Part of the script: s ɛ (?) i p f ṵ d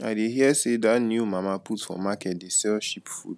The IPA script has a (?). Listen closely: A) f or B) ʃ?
B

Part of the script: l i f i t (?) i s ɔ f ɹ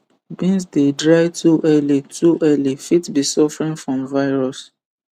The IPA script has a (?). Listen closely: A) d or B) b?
B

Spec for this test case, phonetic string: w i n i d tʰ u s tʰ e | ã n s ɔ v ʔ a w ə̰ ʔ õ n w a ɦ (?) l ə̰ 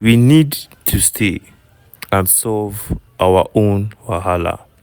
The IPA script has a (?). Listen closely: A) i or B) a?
B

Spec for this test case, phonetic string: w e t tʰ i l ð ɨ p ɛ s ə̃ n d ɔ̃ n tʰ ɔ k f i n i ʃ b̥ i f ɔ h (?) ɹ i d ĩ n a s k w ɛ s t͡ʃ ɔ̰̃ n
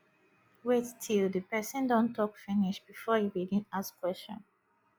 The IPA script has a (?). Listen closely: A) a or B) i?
B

